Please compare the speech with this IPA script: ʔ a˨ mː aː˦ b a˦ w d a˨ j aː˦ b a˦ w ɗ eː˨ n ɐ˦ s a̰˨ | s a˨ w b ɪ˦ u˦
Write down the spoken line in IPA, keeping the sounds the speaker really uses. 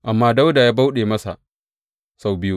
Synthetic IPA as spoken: ʔ a˨ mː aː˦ d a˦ w d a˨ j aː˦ b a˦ w ɗ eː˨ m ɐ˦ s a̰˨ | s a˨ w b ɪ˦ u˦